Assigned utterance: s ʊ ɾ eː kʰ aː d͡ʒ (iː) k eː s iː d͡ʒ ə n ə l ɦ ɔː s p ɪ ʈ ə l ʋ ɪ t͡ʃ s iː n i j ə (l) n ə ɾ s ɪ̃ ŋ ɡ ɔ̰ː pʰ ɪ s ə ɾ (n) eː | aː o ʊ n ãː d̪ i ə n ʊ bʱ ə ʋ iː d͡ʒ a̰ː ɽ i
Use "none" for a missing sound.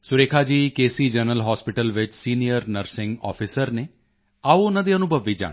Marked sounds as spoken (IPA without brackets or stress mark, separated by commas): iː, ɾ, n